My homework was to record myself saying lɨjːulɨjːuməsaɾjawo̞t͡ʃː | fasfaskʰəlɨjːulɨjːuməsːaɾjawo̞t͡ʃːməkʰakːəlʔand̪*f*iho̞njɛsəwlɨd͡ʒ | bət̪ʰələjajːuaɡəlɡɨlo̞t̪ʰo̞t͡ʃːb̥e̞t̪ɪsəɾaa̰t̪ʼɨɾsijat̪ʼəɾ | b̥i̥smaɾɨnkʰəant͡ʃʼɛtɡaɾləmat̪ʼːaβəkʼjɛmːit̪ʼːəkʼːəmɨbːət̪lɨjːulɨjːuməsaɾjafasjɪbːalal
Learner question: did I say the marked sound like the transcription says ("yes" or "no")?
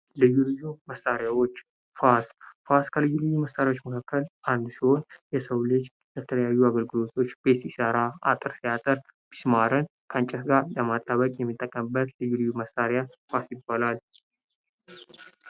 no